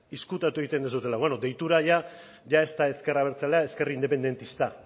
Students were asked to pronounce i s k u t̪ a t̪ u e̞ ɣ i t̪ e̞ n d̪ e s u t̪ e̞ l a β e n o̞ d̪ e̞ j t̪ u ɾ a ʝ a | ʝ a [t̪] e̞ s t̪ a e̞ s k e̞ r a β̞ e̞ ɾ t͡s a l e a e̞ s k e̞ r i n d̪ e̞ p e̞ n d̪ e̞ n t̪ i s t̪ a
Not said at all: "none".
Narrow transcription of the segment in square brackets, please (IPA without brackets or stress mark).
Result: none